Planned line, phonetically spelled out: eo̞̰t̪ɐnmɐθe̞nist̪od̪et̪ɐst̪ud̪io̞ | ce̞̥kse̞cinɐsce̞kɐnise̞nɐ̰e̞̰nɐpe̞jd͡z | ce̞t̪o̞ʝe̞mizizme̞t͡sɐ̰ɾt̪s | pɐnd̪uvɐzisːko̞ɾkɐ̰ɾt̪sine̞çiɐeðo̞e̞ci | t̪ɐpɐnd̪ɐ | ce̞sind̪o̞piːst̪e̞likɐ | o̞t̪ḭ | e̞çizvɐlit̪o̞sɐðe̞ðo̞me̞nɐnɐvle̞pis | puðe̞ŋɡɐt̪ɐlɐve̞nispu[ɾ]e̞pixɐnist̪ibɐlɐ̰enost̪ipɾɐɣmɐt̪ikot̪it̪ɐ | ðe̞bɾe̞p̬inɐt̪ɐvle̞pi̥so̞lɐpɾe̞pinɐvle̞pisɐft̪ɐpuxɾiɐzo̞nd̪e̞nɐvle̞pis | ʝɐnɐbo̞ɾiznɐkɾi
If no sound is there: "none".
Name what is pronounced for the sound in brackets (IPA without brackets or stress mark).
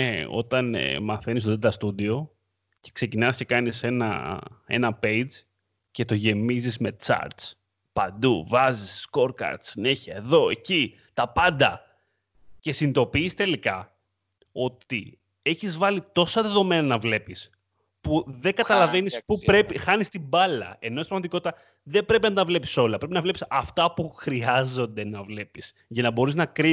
ɾ